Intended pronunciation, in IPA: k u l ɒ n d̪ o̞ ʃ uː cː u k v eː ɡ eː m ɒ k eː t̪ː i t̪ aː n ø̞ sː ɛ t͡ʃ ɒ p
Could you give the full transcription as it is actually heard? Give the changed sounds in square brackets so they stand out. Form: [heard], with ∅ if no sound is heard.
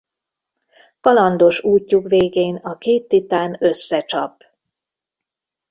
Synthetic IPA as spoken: k [ɒ] l ɒ n d̪ o̞ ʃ uː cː u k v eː ɡ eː [n] ɒ k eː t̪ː i t̪ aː n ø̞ sː ɛ t͡ʃ ɒ p